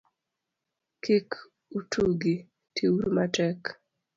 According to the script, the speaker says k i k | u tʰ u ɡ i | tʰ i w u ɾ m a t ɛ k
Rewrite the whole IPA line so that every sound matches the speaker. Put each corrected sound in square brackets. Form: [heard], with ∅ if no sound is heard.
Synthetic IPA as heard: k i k | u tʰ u ɡ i | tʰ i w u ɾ m a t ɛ k